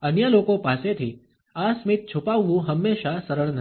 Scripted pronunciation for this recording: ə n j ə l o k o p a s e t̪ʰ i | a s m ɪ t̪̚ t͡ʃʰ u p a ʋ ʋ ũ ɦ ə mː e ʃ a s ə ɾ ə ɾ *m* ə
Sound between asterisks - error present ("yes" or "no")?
yes